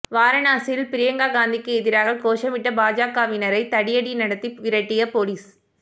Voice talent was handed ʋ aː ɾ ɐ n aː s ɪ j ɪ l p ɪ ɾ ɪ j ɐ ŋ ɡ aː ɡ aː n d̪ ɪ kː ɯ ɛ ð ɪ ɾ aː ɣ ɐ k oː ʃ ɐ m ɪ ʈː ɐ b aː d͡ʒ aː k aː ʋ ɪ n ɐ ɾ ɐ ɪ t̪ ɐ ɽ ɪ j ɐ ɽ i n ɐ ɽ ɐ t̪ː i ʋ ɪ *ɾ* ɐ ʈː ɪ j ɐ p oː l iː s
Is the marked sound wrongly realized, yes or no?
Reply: no